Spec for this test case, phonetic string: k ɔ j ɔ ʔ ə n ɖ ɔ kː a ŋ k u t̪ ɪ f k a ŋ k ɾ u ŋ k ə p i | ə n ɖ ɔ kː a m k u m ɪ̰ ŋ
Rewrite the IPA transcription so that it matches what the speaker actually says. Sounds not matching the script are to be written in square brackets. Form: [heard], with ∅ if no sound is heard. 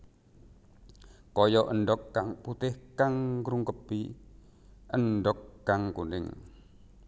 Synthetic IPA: k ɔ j ɔ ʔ ə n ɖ ɔ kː a ŋ [p] u t̪ ɪ [h] k a ŋ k ɾ u ŋ k ə p i | ə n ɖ ɔ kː a [ŋ] k u [n] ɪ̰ ŋ